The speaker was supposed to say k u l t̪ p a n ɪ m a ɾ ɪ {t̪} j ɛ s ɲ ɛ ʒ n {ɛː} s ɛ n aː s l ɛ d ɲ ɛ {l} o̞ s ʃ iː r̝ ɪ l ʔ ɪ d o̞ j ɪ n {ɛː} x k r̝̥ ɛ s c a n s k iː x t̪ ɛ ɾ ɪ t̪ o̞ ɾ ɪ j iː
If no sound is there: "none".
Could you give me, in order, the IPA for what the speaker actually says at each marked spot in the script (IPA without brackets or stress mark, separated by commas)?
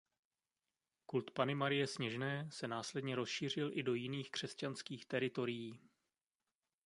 none, ɛː, ɾ, iː